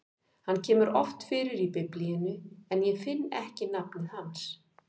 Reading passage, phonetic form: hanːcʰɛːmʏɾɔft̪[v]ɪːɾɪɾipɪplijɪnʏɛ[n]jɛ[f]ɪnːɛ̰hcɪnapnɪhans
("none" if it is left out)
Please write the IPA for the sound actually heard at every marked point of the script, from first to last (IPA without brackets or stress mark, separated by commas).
f, n, f